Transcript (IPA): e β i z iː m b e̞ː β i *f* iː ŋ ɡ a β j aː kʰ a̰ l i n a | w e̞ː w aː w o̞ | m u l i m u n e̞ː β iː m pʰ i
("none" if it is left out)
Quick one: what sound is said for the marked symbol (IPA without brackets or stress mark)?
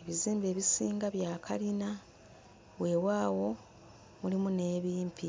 s